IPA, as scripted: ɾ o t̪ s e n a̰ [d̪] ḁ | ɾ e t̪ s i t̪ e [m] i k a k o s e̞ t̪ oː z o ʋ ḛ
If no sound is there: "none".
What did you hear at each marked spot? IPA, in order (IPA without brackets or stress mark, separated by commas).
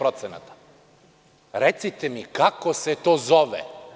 t̪, m